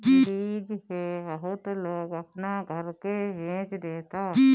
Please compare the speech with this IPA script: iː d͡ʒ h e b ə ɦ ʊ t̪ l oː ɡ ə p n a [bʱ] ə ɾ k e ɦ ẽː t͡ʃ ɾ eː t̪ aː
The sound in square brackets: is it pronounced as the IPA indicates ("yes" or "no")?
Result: no